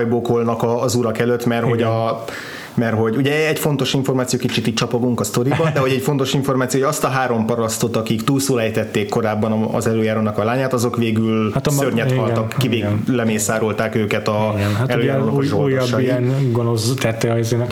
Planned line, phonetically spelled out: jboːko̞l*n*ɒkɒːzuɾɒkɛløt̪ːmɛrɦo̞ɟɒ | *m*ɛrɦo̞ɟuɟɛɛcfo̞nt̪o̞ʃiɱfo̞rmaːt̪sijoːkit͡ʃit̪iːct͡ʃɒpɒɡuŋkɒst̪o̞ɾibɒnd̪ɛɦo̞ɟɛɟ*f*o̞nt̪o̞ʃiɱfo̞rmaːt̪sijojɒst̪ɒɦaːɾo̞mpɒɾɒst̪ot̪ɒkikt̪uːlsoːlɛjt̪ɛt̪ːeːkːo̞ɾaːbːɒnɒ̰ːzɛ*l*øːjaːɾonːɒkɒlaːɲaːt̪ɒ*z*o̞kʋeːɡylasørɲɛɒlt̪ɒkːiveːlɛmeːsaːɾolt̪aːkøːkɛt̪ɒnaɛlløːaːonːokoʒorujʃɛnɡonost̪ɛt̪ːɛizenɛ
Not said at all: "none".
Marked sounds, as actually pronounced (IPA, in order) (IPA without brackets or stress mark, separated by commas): n, m, f, l, z